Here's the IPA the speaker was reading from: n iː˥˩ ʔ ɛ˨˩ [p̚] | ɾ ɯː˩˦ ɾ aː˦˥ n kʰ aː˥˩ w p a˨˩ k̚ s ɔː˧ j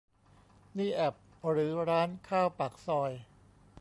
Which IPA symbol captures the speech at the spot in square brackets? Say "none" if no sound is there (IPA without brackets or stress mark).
p̚